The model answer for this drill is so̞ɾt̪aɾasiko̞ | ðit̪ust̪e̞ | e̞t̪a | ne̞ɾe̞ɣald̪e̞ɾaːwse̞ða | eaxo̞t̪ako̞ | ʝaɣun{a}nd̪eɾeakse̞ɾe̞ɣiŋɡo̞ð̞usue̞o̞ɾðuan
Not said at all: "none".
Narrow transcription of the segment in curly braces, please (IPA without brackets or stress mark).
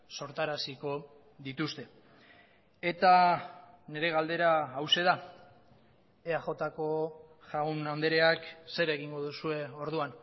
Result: a